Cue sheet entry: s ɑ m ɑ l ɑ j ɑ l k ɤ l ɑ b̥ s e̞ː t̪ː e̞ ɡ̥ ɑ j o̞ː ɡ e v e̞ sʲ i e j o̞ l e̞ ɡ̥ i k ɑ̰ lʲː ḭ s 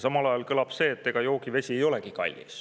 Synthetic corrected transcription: s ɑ m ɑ l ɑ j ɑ l k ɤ l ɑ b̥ s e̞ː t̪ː e̞ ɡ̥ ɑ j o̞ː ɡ i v e̞ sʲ i e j o̞ l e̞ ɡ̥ i k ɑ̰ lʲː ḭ s